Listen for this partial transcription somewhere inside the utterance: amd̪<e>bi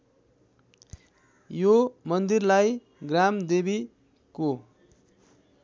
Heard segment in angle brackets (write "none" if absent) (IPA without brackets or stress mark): e